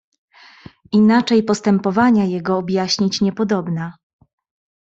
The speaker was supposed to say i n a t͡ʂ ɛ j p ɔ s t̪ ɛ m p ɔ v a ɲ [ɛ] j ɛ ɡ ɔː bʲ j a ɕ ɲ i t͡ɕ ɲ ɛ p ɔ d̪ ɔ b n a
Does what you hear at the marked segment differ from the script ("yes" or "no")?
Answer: yes